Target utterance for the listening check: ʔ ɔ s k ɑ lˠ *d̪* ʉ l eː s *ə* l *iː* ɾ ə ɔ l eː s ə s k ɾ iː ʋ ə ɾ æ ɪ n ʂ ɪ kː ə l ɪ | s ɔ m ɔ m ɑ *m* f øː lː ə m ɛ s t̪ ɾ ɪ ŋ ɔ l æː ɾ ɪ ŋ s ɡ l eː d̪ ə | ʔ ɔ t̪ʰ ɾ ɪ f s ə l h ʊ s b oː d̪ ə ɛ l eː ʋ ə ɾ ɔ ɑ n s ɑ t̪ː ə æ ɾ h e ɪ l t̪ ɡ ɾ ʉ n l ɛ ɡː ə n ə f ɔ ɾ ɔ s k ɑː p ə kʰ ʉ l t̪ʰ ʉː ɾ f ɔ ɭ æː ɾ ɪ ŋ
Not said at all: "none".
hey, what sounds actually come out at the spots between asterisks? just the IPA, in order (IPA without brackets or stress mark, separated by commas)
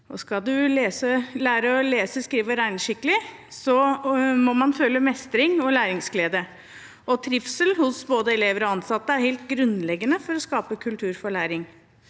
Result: d̪, ə, æː, n